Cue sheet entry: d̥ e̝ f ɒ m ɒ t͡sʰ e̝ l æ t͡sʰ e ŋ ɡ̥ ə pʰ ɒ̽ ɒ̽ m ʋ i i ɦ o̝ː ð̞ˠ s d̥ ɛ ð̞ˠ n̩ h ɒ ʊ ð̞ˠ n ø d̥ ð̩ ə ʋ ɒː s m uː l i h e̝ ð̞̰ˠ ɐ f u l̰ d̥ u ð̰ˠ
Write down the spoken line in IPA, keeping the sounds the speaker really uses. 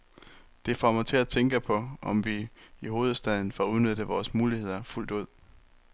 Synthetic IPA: d̥ e̝ f ɒ m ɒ t͡sʰ e̝ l æ t͡sʰ e ŋ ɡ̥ ə pʰ ɒ̽ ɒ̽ m ʋ i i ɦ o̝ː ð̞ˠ s d̥ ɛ ð̞ˠ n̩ f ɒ u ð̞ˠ n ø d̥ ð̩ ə ʋ ɒː s m uː l i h e̝ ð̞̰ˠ ɐ f u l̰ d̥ u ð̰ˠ